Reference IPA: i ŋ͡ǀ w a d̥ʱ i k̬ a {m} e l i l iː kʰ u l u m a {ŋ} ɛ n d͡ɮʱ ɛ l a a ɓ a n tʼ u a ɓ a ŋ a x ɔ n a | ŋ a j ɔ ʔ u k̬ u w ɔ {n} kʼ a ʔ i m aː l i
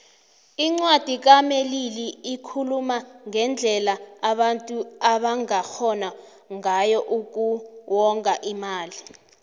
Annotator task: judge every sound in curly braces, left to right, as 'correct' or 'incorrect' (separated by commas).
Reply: correct, correct, incorrect